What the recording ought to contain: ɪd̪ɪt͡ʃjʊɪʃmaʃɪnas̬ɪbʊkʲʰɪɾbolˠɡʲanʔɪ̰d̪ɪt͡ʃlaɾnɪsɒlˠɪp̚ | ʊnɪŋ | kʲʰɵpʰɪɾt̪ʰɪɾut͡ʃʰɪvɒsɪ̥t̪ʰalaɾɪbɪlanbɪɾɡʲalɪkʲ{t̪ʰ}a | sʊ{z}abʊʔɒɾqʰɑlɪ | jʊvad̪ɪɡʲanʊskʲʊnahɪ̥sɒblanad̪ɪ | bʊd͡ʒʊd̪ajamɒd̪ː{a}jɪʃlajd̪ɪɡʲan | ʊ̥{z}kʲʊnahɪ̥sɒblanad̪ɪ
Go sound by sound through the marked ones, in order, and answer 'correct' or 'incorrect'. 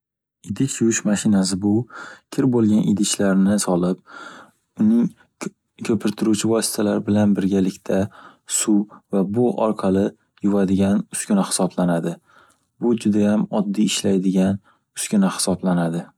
correct, incorrect: v, incorrect: i, incorrect: s

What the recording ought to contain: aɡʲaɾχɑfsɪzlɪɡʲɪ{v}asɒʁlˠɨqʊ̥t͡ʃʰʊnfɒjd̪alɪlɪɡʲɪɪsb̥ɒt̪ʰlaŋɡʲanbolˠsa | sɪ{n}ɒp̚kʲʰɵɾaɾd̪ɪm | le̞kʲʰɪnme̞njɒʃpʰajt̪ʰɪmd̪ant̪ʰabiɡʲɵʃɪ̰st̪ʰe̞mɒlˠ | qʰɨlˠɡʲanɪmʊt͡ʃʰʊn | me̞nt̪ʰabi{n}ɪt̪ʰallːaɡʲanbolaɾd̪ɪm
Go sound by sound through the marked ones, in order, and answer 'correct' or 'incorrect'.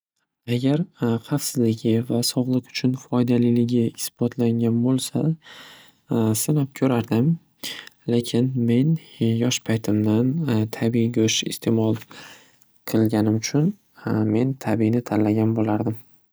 correct, correct, correct

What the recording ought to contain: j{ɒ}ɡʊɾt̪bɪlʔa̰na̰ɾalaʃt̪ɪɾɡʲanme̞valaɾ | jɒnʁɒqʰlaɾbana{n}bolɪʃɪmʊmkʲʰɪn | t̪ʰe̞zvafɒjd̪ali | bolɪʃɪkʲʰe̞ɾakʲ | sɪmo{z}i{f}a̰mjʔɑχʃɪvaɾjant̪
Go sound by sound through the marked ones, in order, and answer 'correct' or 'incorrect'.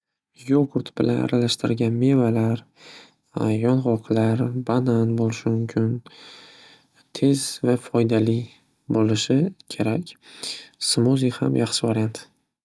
incorrect: o, correct, correct, incorrect: h

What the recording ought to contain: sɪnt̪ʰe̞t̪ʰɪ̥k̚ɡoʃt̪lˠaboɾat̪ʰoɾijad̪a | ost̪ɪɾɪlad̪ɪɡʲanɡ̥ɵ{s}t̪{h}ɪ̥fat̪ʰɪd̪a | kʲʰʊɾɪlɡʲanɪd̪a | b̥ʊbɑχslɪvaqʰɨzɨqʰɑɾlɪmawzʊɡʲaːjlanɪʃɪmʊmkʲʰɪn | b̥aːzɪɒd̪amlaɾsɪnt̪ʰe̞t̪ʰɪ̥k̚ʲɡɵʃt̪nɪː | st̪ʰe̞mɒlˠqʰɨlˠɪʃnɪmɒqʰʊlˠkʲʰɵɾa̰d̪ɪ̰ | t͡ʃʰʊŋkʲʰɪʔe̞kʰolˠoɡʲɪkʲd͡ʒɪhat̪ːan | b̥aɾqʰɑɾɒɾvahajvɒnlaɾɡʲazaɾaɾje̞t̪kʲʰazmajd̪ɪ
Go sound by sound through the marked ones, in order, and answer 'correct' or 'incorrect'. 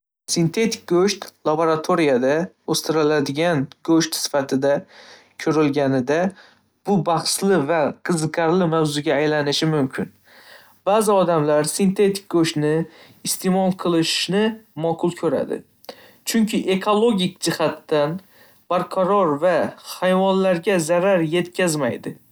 incorrect: ʃ, incorrect: s

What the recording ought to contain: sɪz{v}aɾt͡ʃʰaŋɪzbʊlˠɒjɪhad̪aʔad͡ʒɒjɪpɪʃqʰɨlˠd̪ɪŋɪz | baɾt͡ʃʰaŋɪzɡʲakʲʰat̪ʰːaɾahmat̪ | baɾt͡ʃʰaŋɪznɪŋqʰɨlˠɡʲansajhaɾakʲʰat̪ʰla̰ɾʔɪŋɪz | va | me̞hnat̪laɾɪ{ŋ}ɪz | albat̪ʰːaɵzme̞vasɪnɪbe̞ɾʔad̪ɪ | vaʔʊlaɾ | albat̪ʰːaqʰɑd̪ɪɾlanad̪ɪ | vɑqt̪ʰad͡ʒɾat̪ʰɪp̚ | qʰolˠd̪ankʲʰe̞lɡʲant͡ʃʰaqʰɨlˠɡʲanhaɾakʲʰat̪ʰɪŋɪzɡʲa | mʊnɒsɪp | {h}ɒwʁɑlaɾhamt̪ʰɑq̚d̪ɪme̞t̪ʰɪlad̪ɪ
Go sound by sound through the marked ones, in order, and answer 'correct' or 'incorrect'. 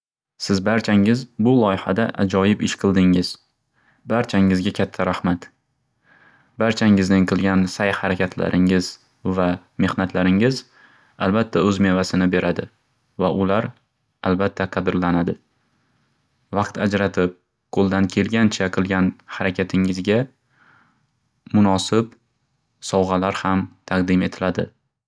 incorrect: b, correct, incorrect: s

